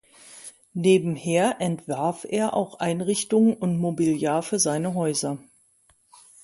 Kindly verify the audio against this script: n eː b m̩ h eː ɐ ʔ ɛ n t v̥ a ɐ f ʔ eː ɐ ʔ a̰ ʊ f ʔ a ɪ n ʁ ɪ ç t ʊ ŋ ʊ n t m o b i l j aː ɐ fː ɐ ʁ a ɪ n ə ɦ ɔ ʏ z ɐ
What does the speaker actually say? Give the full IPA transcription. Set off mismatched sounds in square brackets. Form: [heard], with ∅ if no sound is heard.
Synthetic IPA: n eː b m̩ h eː ɐ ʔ ɛ n t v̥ a ɐ f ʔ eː ɐ ʔ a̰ ʊ [x] ʔ a ɪ n ʁ ɪ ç t ʊ ŋ ʊ n t m o b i l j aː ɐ fː ɐ [z] a ɪ n ə ɦ ɔ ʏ z ɐ